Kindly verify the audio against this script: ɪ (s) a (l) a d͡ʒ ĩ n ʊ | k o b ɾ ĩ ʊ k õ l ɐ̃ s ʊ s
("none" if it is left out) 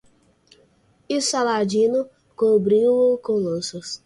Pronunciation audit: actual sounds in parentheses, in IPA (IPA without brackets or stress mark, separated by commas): s, l